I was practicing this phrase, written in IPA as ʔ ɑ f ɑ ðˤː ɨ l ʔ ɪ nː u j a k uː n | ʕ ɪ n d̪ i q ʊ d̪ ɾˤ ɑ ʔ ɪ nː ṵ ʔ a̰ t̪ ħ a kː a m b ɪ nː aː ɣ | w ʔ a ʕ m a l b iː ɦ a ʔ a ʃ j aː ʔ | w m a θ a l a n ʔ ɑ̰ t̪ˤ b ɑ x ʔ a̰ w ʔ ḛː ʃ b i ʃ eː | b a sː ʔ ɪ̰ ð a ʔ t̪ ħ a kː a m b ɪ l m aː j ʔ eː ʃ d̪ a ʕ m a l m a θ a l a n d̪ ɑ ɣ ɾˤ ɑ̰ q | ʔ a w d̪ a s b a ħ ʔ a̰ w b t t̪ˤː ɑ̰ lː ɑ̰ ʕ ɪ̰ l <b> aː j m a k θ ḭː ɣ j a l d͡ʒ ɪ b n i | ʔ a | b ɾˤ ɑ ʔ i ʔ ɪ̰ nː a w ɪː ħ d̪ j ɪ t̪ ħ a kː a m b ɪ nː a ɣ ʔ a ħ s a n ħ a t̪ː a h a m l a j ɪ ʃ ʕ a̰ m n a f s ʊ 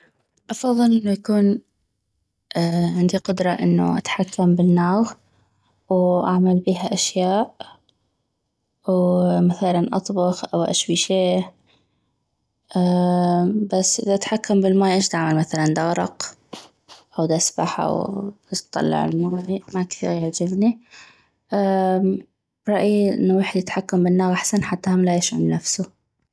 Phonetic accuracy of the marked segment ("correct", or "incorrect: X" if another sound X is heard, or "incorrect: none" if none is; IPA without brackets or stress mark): incorrect: m